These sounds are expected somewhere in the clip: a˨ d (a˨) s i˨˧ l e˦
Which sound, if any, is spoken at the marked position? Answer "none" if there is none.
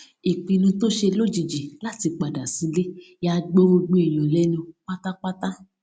a˨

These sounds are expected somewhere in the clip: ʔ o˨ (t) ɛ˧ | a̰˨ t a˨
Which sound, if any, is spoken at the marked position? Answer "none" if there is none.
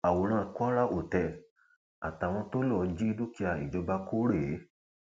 t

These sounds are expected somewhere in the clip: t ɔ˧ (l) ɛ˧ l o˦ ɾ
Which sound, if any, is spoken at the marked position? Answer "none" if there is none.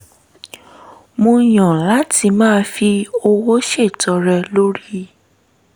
ɾ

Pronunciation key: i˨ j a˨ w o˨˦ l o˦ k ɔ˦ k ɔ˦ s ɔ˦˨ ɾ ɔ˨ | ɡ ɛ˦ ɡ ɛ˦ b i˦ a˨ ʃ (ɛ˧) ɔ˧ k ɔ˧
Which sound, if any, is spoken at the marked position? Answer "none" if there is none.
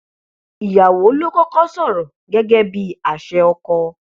ɛ˧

